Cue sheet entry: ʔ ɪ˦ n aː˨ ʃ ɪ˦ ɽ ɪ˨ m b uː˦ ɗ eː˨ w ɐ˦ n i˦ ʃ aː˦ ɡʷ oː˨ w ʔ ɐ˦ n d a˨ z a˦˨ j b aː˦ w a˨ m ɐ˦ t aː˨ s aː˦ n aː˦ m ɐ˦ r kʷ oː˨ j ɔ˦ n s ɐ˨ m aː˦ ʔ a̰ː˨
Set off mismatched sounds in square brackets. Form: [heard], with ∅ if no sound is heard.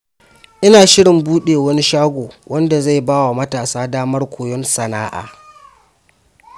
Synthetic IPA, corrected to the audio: ʔ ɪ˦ n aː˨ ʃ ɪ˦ ɽ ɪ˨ m b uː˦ ɗ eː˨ w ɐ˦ n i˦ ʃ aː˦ ɡʷ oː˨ w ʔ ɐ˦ n d a˨ z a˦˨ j b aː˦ w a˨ m ɐ˦ t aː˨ s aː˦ [d] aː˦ m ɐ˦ r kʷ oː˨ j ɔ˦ n s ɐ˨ [n] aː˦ ʔ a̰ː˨